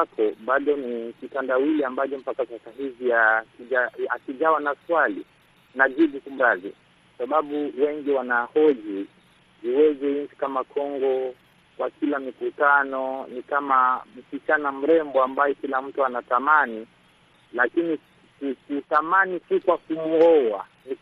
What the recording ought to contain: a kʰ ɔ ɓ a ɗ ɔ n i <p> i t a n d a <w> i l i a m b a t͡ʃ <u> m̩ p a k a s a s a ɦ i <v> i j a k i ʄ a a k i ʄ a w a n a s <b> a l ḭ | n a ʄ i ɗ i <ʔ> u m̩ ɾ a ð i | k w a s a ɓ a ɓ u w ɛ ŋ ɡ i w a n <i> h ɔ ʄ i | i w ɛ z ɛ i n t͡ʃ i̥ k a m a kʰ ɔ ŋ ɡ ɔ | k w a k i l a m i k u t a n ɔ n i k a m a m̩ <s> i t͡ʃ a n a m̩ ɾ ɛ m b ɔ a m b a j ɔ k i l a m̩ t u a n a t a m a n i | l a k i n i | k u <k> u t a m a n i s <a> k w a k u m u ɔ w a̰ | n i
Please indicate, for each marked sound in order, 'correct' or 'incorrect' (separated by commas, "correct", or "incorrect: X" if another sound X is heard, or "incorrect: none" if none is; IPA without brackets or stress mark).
incorrect: k, correct, incorrect: ɔ, correct, incorrect: w, incorrect: k, incorrect: a, correct, correct, incorrect: i